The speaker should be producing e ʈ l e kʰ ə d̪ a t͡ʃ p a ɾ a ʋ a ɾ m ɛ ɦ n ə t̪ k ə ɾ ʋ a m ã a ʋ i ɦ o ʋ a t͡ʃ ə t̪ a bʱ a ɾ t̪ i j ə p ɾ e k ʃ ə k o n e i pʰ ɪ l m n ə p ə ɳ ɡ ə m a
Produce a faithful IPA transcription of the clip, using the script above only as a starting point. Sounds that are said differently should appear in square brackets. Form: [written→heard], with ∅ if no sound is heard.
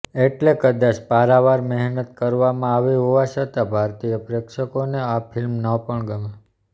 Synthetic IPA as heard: e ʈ l e [kʰ→k] ə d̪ a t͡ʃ p a ɾ a ʋ a ɾ m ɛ ɦ n ə t̪ k ə ɾ ʋ a m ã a ʋ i ɦ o ʋ a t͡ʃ ə t̪ a bʱ a ɾ t̪ i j ə p ɾ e k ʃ ə k o n e [i→a] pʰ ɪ l m n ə p ə ɳ ɡ ə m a